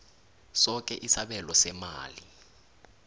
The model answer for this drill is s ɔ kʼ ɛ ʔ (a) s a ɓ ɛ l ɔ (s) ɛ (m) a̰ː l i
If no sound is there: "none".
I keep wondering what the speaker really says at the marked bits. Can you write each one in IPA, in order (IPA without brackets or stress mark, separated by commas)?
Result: i, s, m